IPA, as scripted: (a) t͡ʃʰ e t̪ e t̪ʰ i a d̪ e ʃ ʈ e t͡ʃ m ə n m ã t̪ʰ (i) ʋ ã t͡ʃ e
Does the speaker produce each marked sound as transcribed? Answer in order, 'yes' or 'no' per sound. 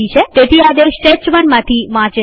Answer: no, yes

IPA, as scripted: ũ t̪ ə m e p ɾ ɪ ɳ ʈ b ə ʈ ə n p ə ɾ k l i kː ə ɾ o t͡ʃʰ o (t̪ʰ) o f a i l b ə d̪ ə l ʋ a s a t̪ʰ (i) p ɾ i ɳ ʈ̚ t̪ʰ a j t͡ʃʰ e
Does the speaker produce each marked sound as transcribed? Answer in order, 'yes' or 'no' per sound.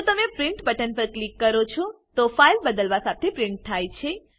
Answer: no, no

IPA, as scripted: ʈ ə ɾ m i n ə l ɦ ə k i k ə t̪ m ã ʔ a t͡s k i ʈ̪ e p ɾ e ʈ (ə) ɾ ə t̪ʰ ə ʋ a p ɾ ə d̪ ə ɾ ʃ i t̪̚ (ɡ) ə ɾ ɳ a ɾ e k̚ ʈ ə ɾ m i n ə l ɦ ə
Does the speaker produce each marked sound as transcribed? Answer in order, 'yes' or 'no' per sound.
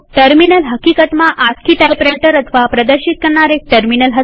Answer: yes, no

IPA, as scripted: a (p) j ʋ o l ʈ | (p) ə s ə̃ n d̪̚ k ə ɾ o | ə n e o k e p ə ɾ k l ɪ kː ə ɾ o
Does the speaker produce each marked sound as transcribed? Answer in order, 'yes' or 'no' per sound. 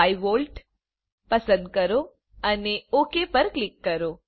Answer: no, yes

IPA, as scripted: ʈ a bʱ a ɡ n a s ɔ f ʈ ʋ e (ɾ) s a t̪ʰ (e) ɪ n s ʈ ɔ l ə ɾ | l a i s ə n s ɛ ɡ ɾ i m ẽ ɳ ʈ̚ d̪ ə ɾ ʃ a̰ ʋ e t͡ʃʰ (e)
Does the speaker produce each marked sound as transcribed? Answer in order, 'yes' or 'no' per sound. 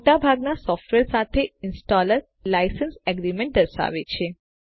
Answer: yes, yes, yes

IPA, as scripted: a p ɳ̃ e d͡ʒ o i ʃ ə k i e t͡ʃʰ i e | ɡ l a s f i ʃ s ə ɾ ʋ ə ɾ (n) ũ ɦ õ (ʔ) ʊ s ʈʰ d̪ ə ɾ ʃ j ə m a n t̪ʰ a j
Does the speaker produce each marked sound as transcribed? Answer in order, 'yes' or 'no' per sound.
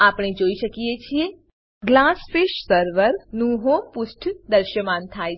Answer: yes, no

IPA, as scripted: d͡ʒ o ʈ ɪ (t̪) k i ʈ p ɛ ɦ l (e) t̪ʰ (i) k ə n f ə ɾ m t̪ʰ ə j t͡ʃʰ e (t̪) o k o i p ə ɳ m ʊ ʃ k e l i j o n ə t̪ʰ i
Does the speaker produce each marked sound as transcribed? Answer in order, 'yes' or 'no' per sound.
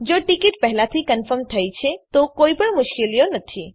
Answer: no, no, yes, yes

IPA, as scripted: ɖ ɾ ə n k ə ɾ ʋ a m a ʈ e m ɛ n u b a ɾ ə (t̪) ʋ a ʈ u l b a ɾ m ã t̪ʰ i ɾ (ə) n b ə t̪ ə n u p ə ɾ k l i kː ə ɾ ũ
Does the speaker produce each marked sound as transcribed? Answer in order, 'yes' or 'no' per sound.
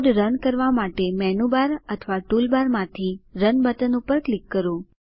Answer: no, yes

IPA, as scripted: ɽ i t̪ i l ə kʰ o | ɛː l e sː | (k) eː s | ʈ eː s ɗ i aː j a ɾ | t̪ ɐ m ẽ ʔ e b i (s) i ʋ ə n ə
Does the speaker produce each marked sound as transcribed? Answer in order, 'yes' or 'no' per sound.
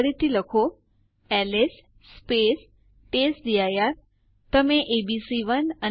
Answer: no, yes

